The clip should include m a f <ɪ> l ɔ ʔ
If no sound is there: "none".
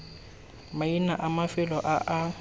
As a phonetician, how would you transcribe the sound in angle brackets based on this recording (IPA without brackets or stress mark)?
ɪ